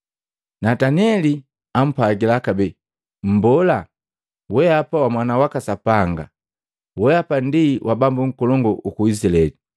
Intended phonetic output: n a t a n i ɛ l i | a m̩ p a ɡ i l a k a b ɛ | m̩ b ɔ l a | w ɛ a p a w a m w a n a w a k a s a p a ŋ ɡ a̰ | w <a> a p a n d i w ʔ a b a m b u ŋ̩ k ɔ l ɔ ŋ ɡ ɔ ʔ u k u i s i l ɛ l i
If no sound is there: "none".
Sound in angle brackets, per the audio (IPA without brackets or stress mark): ɛ